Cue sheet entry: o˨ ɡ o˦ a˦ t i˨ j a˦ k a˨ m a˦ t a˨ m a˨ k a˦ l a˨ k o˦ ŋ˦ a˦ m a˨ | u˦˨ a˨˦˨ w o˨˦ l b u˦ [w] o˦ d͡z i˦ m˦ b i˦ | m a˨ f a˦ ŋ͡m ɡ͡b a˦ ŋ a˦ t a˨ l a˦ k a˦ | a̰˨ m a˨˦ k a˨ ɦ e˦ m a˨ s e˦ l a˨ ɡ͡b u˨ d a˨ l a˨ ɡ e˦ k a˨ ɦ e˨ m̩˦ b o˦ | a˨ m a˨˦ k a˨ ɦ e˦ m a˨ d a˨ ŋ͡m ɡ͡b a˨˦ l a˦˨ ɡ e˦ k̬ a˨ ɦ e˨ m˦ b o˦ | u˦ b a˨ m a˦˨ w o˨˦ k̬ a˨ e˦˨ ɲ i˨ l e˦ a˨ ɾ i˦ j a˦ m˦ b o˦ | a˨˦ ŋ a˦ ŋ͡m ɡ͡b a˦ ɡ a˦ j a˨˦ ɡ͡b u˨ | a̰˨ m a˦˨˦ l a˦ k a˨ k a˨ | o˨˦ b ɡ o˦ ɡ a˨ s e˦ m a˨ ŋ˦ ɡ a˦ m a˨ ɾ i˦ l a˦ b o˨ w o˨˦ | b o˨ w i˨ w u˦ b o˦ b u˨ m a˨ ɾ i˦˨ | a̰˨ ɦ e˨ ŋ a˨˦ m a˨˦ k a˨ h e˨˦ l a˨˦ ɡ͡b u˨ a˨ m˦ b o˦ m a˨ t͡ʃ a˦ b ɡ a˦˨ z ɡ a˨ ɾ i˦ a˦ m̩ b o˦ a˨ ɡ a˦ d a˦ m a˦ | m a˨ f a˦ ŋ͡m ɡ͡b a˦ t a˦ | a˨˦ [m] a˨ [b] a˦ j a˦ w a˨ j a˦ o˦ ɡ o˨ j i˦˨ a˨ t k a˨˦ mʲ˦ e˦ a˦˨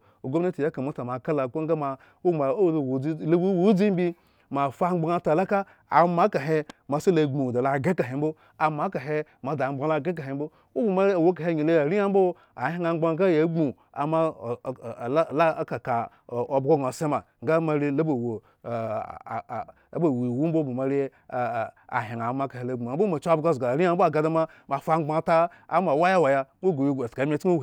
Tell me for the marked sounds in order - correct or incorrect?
correct, correct, incorrect

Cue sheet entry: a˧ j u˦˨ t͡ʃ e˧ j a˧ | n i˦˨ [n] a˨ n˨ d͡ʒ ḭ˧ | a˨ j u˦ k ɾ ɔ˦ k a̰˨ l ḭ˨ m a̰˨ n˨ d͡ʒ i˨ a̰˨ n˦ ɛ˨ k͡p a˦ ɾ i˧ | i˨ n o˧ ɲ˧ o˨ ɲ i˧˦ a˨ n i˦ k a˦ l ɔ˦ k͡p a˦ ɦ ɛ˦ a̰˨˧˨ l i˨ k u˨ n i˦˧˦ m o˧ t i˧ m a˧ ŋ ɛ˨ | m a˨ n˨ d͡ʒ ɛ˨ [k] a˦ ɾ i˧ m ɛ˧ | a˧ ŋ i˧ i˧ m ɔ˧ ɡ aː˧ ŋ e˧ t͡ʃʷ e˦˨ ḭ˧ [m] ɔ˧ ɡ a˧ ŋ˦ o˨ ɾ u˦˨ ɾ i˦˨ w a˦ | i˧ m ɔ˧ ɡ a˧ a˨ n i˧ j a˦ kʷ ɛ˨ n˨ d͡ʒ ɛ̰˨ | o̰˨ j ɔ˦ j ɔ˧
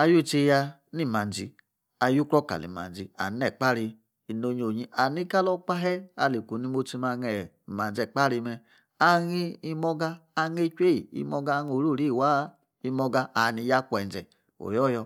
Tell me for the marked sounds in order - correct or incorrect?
incorrect, incorrect, correct

